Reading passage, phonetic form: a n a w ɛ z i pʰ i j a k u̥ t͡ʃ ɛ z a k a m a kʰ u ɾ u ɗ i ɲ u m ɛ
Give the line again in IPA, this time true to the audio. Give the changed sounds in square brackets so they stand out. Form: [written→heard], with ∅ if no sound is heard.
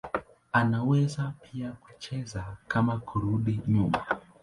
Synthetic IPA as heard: a n a w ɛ z [i→a] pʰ i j a k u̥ t͡ʃ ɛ z a k a m a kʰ u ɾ u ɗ i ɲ u m [ɛ→a]

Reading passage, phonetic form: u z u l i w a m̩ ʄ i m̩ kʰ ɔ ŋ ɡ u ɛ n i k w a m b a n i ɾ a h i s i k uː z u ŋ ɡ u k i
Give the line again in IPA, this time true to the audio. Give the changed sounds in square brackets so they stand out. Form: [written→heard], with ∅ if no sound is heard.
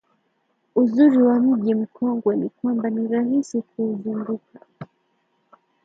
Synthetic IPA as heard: u z u [l→ɾ] i w a m̩ ʄ i m̩ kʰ ɔ ŋ ɡ [u→w] ɛ n i k w a m b a n i ɾ a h i s i k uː z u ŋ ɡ u k [i→a]

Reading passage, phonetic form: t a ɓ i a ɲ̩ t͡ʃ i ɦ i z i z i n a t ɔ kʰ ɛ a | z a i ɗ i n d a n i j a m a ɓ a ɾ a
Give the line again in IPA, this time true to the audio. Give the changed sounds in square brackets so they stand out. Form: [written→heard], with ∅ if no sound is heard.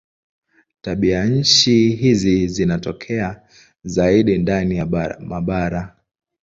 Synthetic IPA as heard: t a ɓ i a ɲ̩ t͡ʃ i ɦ i z i z i n a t ɔ kʰ ɛ a | z a i ɗ i n d a n i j a m a ɓ a ɾ a

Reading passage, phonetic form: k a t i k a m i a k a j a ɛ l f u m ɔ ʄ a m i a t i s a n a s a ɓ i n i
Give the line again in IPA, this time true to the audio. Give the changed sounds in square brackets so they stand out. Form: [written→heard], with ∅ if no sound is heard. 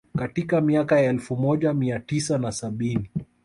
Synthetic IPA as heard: k a t i k a m i a k a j a ɛ l f u m ɔ ʄ a m i a t i s a n a s a ɓ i n i

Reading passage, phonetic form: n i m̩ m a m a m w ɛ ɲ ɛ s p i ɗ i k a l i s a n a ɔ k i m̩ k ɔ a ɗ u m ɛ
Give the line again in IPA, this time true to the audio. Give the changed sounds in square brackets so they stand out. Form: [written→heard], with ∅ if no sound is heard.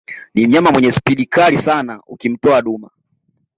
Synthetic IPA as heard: n i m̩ [m→ɲ] a m a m w ɛ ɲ ɛ s p i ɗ i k a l i s a n a [ɔ→u] k i m̩ [k→t] ɔ a ɗ u m [ɛ→a]

